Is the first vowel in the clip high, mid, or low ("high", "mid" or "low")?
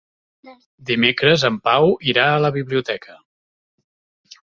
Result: high